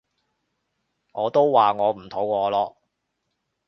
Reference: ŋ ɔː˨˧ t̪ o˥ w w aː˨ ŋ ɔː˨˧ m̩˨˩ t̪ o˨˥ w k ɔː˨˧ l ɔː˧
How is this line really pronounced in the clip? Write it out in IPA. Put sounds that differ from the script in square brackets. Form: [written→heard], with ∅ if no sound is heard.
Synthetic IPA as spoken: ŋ ɔː˨˧ t̪ o˥ w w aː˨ ŋ ɔː˨˧ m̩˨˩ [t̪→t̪ʰ] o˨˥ w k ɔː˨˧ l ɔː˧